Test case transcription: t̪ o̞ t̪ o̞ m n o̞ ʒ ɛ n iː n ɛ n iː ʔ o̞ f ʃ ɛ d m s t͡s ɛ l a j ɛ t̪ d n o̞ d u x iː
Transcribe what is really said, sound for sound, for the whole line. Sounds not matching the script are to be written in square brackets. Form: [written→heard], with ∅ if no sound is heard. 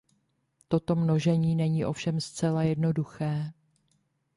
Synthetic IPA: t̪ o̞ t̪ o̞ m n o̞ ʒ ɛ [n→ɲ] iː n ɛ [n→ɲ] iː ʔ o̞ f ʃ ɛ [d→∅] m s t͡s ɛ l a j ɛ [t̪→∅] d n o̞ d u x [iː→ɛː]